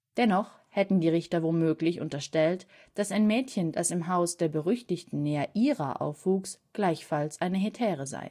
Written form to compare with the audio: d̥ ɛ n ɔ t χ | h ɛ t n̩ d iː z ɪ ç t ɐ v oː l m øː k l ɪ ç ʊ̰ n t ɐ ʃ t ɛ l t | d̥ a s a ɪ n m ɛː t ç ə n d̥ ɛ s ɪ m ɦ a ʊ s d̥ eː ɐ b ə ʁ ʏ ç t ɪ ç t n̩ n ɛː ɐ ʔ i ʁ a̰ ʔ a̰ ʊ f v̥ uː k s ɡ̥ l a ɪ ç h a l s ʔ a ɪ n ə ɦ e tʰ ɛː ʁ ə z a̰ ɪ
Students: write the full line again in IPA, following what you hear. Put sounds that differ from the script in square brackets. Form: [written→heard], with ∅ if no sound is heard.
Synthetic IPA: d̥ ɛ n ɔ [t→∅] χ | h ɛ t n̩ d iː [z→ʁ] ɪ ç t ɐ v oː l m øː k l ɪ ç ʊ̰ n t ɐ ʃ t ɛ l t | d̥ a s a ɪ n m ɛː t ç ə n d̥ [ɛ→a] s ɪ m ɦ a ʊ s d̥ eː ɐ b ə ʁ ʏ ç t ɪ ç t n̩ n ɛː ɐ ʔ [i→iː] ʁ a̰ ʔ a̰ ʊ f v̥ uː k s ɡ̥ l a ɪ ç [h→f] a l s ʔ a ɪ n ə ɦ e tʰ ɛː ʁ ə z a̰ ɪ